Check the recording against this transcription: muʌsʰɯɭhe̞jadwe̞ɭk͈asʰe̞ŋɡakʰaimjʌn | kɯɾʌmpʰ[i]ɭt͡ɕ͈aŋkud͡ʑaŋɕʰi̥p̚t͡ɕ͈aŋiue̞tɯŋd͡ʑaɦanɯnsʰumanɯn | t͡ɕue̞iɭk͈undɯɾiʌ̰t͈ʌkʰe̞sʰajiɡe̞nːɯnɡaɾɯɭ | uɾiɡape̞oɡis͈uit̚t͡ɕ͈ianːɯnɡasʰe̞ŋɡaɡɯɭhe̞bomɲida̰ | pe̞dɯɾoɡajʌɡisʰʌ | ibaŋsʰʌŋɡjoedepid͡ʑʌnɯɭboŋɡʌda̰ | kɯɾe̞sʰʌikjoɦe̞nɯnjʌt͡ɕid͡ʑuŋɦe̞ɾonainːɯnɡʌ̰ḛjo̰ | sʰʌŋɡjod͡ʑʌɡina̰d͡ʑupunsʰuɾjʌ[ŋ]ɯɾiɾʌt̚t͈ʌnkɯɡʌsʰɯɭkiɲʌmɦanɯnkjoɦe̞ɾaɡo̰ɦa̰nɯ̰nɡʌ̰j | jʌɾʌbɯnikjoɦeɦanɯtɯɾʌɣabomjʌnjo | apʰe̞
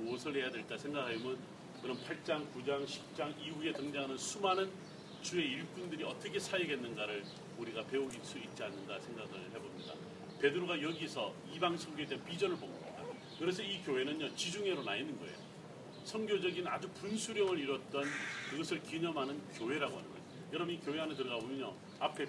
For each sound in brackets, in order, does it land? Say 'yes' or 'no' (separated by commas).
no, yes